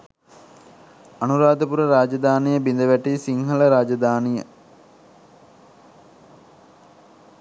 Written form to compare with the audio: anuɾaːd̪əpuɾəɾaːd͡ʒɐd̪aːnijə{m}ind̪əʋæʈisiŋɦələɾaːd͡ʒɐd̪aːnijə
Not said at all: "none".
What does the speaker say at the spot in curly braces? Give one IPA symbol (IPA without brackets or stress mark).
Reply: b